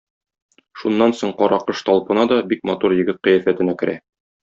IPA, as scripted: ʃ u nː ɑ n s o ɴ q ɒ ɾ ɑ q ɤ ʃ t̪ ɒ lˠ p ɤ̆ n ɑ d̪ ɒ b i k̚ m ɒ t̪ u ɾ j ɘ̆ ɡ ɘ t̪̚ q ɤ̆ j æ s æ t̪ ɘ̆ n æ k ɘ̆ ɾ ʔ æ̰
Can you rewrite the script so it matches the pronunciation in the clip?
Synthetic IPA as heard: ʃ u nː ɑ n s o ɴ q ɒ ɾ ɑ q ɤ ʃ t̪ ɒ lˠ p ɤ̆ n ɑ d̪ ɒ b i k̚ m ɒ t̪ u ɾ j ɘ̆ ɡ ɘ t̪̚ q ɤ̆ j æ f æ t̪ ɘ̆ n æ k ɘ̆ ɾ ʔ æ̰